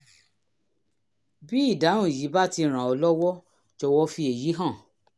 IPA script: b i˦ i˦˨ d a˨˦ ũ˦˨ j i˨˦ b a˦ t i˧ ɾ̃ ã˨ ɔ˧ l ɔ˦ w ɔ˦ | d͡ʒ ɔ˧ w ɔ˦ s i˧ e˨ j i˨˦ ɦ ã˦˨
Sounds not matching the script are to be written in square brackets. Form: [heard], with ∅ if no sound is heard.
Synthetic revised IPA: b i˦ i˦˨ d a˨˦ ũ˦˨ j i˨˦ b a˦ t i˧ ɾ̃ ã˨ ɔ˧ l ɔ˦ w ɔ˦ | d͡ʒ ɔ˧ w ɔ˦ [f] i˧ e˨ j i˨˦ ɦ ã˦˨